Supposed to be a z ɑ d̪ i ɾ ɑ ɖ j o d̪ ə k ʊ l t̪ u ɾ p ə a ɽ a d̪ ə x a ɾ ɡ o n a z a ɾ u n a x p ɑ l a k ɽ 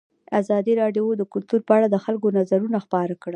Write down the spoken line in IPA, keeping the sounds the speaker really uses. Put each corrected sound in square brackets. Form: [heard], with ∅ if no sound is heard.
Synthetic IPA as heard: a z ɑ d̪ i ɾ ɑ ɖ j o d̪ ə k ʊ l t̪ u ɾ p ə a ɽ a d̪ ə x a [l] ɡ o n a z a ɾ u n a x p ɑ [ɾ] a k ɽ